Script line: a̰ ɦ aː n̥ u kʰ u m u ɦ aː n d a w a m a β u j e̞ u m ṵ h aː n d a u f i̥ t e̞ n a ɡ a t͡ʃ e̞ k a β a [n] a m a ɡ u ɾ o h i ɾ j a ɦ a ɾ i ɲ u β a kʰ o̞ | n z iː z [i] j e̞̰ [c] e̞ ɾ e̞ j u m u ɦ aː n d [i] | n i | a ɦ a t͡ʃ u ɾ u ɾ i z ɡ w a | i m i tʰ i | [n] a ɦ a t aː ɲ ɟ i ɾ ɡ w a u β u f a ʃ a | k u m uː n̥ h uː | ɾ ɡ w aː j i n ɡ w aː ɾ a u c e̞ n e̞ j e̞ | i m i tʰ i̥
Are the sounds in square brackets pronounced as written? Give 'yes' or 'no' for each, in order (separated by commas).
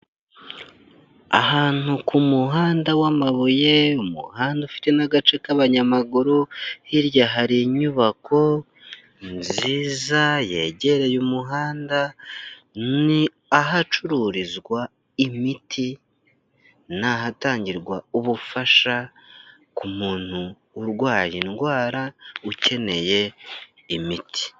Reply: no, no, no, no, yes